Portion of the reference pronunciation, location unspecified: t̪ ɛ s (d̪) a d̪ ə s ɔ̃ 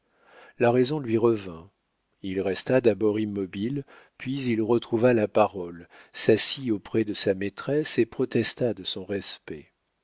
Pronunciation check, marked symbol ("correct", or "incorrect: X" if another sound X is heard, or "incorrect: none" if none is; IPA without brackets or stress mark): incorrect: t̪